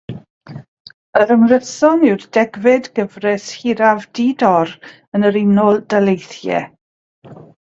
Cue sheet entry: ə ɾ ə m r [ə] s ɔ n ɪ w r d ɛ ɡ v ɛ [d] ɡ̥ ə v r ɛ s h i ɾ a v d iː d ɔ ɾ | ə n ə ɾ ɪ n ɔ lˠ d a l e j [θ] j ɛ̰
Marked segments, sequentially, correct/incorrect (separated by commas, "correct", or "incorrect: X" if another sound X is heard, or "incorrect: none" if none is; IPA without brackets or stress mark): correct, correct, correct